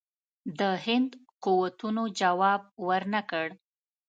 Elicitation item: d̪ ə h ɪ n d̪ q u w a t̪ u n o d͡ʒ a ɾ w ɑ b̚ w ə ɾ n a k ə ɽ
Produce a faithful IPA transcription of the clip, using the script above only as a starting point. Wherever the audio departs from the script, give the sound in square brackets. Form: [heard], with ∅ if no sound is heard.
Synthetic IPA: d̪ ə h ɪ n d̪ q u w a t̪ u n o d͡ʒ a [∅] w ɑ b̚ w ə ɾ n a k ə ɽ